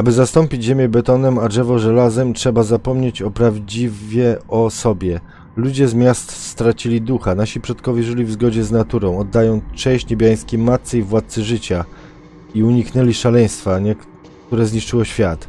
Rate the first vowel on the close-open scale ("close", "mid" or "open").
open